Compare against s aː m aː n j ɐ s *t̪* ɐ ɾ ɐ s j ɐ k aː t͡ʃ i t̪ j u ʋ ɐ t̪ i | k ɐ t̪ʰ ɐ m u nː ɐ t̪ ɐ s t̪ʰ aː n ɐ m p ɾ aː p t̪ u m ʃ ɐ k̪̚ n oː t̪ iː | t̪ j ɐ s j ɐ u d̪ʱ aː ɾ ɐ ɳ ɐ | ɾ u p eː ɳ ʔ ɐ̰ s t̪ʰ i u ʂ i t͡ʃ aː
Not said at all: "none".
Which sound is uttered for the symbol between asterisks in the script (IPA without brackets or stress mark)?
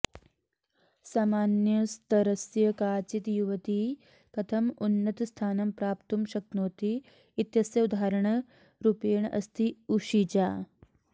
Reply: t̪